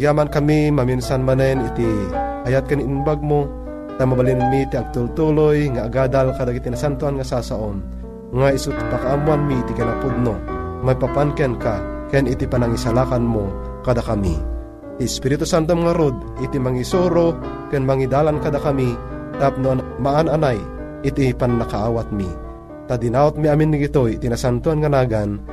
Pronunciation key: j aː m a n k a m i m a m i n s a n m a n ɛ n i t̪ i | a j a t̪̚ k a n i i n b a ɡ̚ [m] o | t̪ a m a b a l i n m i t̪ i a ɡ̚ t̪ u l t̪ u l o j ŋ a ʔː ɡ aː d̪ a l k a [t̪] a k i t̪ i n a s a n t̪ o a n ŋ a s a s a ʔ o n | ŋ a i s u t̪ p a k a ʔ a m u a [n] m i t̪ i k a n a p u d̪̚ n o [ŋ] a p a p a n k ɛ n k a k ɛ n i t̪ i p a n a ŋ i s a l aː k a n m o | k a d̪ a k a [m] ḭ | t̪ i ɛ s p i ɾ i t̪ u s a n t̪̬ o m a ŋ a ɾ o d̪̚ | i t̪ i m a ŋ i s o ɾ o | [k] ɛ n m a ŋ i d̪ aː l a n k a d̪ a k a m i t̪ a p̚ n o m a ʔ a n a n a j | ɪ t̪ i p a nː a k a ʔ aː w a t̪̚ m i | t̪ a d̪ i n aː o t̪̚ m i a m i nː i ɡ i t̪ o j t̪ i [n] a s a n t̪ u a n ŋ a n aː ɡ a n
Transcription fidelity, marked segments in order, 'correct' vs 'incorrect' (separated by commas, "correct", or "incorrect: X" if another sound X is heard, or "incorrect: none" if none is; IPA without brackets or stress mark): correct, incorrect: d̪, correct, incorrect: m, correct, correct, correct